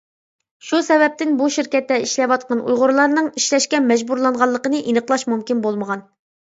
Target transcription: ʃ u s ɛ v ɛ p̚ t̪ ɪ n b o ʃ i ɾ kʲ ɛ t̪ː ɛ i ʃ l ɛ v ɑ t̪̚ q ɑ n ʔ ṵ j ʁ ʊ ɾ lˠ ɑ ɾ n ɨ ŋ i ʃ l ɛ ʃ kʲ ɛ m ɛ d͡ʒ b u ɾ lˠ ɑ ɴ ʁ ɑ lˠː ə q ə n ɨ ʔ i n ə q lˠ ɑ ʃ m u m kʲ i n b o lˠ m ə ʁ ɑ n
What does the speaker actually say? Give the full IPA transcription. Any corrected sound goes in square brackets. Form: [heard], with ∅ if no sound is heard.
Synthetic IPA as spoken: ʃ u s ɛ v ɛ p̚ t̪ ɪ n b [u] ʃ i ɾ kʲ ɛ t̪ː ɛ i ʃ l ɛ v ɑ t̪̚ q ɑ n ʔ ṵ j ʁ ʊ ɾ lˠ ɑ ɾ n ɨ ŋ i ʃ l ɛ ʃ kʲ ɛ m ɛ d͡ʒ b u ɾ lˠ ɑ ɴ ʁ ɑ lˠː ə q ə n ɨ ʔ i n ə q lˠ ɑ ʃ m u m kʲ i n b o lˠ m ə ʁ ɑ n

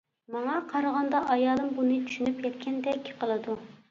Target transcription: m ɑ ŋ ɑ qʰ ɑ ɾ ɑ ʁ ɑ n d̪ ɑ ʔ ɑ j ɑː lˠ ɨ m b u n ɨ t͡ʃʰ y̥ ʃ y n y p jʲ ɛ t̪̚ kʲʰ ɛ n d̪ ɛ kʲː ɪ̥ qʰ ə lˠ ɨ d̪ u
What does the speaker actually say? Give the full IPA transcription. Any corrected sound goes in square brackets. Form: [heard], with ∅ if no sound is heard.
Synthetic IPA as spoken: m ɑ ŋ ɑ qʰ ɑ ɾ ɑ ʁ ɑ n d̪ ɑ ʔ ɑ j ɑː lˠ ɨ m b u n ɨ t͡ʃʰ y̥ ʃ y n y p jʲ ɛ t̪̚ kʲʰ ɛ n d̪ ɛ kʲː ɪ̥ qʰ ə lˠ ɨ d̪ u

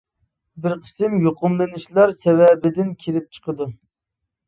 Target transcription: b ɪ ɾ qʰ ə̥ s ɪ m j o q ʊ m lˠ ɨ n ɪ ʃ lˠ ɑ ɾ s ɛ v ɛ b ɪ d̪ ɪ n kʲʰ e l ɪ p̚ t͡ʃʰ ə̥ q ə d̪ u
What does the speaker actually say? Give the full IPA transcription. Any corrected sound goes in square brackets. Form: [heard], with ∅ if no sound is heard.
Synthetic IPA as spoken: b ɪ ɾ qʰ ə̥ s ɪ m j o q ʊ m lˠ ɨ n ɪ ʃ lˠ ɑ ɾ s ɛ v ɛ b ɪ d̪ ɪ n kʲʰ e l ɪ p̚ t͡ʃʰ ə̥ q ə d̪ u

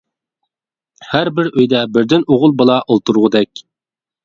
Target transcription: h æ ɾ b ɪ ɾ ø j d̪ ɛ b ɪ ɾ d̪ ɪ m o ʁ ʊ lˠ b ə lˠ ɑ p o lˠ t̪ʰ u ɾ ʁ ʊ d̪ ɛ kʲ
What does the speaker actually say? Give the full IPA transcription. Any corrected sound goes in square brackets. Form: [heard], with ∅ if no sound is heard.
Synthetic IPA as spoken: h æ ɾ b ɪ ɾ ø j d̪ ɛ b ɪ ɾ d̪ ɪ [n] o ʁ ʊ lˠ b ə lˠ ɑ [ʔ] o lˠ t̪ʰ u ɾ ʁ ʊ d̪ ɛ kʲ

